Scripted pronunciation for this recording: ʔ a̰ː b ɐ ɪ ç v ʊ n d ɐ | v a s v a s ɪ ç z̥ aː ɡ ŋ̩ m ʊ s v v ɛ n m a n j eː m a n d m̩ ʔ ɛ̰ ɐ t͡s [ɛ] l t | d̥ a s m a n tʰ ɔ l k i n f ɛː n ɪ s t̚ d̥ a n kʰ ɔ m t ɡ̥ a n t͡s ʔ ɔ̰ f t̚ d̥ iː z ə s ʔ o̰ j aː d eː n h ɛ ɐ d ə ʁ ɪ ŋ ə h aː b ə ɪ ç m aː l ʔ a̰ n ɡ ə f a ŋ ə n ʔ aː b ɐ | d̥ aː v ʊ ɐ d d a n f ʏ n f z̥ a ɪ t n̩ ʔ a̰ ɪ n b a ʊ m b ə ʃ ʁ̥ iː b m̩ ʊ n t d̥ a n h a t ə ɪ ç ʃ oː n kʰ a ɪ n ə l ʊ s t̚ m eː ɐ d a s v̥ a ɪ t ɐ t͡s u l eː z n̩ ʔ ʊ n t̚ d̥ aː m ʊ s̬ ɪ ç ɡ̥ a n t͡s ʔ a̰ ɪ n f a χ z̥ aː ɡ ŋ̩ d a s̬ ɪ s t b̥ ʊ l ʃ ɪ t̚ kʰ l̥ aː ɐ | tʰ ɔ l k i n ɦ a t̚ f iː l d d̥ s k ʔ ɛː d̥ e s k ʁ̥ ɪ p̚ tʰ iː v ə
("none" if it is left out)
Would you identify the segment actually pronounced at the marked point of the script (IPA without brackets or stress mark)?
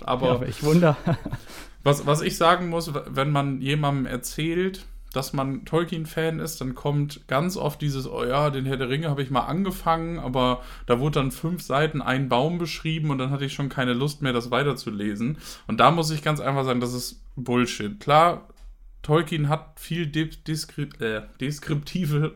ɛː